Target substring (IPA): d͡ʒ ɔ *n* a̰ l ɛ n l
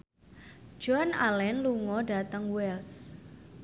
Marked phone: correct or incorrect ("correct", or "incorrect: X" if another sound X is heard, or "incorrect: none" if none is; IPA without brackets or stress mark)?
correct